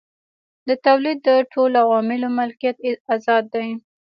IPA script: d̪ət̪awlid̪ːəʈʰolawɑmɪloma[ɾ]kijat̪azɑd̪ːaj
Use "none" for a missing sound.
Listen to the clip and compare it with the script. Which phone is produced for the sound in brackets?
l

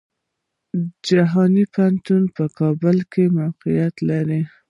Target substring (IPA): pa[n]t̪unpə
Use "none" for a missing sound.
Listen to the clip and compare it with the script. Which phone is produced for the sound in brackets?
n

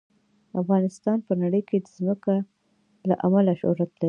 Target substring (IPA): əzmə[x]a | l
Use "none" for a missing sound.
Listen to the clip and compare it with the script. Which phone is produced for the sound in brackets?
k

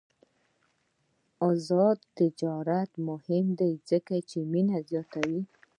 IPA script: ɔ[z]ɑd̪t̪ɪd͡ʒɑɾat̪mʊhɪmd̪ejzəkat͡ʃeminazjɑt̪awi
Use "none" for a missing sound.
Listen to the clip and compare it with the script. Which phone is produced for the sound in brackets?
z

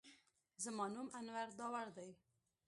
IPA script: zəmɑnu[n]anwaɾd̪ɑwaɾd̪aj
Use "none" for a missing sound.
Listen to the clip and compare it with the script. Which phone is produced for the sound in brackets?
m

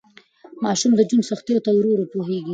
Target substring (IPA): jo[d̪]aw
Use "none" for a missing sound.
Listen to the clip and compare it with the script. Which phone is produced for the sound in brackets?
t̪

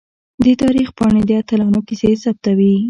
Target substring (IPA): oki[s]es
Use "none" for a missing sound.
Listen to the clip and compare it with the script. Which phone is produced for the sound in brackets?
s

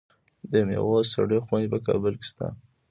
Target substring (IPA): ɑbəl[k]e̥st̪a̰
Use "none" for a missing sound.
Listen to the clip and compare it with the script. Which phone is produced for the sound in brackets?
k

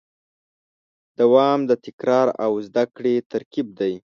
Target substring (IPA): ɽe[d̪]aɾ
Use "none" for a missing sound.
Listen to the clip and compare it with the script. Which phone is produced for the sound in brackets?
t̪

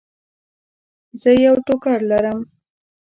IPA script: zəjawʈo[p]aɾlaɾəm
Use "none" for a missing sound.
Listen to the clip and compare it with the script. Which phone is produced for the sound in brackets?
k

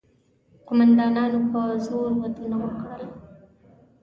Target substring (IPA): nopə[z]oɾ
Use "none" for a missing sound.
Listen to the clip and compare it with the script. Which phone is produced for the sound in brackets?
z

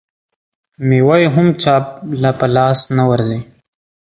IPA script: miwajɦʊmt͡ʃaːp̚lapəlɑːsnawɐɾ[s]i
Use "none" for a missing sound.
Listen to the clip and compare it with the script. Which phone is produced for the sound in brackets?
z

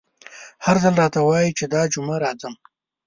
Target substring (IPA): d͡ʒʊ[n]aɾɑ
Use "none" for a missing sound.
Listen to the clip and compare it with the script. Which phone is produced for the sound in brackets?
m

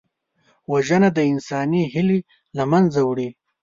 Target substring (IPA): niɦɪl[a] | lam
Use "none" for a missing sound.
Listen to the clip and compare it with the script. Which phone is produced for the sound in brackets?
i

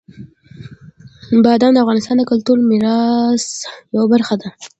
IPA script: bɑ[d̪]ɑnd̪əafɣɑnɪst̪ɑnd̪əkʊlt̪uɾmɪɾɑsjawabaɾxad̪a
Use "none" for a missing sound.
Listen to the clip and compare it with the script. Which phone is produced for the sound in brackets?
d̪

